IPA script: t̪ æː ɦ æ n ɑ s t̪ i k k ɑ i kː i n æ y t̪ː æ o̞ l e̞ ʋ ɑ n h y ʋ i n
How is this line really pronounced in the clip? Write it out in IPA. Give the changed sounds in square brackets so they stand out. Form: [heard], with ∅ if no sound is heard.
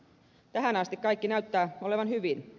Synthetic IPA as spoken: t̪ [æ] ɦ æ n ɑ s t̪ i k k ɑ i kː i n æ y t̪ː [æː] o̞ l e̞ ʋ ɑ n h y ʋ i n